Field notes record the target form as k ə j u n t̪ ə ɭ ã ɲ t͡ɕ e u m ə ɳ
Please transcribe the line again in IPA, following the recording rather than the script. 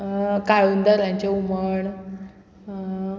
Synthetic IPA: k a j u n d̪ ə ɾ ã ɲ t͡ɕ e u m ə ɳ